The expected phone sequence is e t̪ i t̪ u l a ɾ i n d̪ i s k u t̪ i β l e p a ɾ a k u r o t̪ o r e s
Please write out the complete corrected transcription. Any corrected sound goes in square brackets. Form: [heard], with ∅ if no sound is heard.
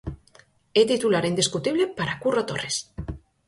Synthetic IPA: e t̪ i t̪ u l a ɾ i n d̪ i s k u t̪ i β l e p a ɾ a k u r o t̪ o r e s

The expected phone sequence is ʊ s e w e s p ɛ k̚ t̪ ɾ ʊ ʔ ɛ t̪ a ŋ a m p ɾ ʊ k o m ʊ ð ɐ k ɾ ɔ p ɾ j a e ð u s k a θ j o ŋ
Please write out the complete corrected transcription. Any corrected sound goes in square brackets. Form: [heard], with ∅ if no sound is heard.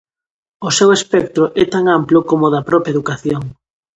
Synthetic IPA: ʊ s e w e s p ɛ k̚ t̪ ɾ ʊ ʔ ɛ t̪ a ŋ a m p [l] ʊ k o m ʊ ð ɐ [p] ɾ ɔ p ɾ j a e ð u [∅] k a θ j o ŋ

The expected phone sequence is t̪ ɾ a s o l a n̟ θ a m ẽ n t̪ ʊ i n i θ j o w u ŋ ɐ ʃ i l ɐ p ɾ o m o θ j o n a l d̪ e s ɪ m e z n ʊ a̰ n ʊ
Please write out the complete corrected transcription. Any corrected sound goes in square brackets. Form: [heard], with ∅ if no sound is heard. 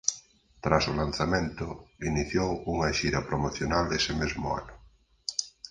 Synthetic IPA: t̪ ɾ a s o l a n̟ θ a m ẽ n t̪ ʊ i n i θ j o w u ŋ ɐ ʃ i [ɾ] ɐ p ɾ o m o θ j o n a l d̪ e s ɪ m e z [m] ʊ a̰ n ʊ

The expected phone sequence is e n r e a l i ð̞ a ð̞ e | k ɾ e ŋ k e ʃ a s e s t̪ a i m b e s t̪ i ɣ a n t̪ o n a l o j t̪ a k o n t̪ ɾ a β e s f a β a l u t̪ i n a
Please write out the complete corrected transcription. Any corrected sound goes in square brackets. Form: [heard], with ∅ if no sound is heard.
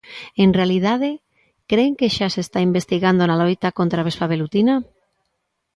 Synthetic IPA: e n r e a l i ð̞ a ð̞ e | k ɾ e ŋ k e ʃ a s e s t̪ a i m b e s t̪ i ɣ a n [d̪] o n a l o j t̪ a k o n t̪ ɾ a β e s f a β [e] l u t̪ i n a

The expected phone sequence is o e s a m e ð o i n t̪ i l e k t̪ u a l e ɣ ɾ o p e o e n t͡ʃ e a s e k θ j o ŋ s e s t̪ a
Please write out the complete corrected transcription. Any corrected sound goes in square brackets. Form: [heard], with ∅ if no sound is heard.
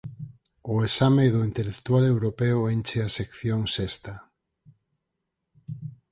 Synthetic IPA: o e s a m e ð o i n t̪ [e] l e k t̪ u a l e [w] ɾ o p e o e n t͡ʃ e a s e k θ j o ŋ s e s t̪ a

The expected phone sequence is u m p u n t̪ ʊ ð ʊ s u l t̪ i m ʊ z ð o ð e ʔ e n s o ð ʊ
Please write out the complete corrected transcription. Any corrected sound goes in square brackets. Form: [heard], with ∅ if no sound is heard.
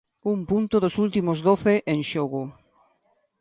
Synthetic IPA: u m p u n t̪ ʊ ð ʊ s u l t̪ i m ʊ z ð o [θ] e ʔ e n [ʃ] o [ɣ] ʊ

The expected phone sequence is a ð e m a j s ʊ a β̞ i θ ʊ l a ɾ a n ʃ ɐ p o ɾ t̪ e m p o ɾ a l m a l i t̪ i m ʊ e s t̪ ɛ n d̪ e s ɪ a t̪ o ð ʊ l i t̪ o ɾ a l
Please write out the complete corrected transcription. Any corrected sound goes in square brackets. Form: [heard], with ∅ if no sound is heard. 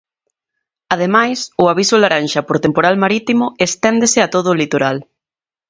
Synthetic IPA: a ð e m a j s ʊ a β̞ i [s] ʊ l a ɾ a n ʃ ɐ p o ɾ t̪ e m p o ɾ a l m a [ɾ] i t̪ i m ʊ e s t̪ ɛ n d̪ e s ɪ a t̪ o ð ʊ l i t̪ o ɾ a l

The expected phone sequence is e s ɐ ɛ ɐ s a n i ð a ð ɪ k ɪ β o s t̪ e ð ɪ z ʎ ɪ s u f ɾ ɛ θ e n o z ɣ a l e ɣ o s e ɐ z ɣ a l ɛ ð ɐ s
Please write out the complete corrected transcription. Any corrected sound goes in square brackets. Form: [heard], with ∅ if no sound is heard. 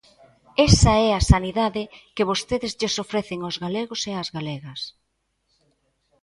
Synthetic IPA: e s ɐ ɛ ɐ s a n i ð a ð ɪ k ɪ β o s t̪ e ð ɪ z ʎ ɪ s [o] f ɾ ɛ θ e [ŋ] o z ɣ a l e ɣ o s e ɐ z ɣ a l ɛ [ɣ] ɐ s

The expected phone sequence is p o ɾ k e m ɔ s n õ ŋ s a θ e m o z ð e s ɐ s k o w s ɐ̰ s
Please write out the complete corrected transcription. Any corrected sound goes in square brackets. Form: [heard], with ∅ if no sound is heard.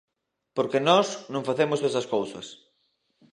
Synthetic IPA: p o ɾ k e [n] ɔ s n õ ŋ [f] a θ e m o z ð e s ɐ s k o w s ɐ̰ s

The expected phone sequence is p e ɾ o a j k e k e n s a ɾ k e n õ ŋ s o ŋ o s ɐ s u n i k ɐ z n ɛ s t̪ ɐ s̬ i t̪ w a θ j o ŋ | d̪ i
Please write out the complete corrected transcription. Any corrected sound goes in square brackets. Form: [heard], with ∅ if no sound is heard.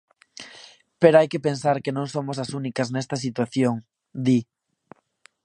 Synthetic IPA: p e ɾ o a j k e [p] e n s a ɾ k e n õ ŋ s o [m] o s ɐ s u n i k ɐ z n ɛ s t̪ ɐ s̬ i t̪ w a θ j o ŋ | d̪ i

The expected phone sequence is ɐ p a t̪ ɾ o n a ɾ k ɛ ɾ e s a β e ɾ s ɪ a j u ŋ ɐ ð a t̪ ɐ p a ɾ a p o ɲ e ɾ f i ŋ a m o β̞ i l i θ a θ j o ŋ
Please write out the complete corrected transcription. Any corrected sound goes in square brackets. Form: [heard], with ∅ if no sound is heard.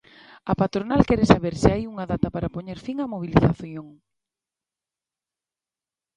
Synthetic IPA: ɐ p a t̪ ɾ o n a [l] k ɛ ɾ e s a β e ɾ s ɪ a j u ŋ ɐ ð a t̪ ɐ p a ɾ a p o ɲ e ɾ f i ŋ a m o β̞ i l i θ a θ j o ŋ

